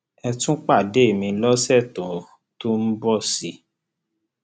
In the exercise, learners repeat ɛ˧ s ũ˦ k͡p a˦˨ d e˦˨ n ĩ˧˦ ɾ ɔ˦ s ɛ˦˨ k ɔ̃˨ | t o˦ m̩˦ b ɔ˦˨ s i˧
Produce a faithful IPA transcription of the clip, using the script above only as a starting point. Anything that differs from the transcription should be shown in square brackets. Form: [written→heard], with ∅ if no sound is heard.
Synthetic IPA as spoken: ɛ˧ [s→t] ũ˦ k͡p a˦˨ d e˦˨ [n→m] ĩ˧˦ [ɾ→l] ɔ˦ s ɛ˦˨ [k→t] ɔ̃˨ | t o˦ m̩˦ b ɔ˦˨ s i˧